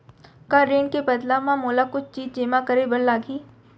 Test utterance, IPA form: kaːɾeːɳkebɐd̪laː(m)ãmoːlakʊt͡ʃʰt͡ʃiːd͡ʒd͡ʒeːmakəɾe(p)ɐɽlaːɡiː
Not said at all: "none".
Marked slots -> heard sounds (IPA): m, b

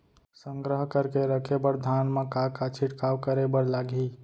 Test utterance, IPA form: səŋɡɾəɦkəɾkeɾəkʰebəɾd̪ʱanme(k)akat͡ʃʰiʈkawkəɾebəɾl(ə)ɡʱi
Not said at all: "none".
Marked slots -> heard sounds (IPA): k, a

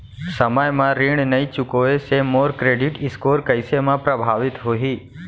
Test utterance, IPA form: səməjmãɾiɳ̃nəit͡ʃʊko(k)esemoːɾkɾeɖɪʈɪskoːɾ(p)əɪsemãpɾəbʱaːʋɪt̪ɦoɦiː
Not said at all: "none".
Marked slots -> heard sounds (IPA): none, k

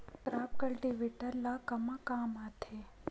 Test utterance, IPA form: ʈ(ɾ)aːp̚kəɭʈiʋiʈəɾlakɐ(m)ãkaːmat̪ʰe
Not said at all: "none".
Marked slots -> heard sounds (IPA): ɾ, m

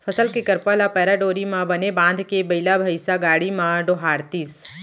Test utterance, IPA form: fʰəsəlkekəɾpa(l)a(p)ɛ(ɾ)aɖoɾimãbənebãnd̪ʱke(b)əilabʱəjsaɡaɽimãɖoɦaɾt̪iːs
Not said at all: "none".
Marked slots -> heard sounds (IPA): l, p, ɾ, b

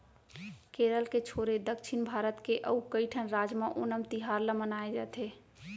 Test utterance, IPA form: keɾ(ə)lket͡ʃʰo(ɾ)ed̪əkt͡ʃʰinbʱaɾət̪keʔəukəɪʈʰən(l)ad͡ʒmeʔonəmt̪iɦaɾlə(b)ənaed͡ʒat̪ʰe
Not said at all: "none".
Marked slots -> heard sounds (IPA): ə, ɾ, ɾ, m

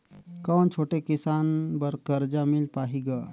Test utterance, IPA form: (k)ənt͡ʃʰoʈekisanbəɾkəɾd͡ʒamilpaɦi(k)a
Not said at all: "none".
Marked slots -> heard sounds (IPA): k, ɡ

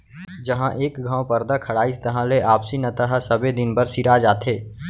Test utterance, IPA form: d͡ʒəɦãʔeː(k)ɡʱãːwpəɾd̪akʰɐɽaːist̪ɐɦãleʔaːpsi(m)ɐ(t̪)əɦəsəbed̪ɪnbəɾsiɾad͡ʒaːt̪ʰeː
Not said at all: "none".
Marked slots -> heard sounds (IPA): k, n, t̪

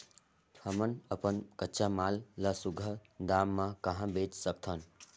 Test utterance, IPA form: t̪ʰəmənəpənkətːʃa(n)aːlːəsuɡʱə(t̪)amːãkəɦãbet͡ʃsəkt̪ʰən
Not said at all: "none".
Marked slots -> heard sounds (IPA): m, d̪

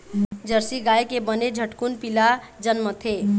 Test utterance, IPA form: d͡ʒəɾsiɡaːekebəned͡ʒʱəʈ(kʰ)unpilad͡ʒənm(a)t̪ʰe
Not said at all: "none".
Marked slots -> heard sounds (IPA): k, ə

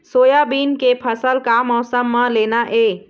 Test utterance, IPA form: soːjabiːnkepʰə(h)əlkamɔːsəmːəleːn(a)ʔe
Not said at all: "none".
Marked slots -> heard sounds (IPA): s, a

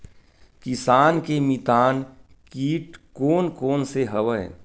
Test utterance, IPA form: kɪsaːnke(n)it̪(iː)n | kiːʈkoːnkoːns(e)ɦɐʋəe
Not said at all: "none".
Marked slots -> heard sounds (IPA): m, aː, e

